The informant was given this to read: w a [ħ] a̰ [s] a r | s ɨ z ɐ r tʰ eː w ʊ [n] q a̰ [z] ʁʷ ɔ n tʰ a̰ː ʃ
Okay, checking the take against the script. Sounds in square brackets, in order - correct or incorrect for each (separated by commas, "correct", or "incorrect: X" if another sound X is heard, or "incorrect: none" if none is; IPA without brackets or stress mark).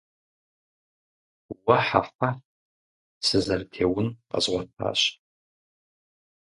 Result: correct, incorrect: f, correct, correct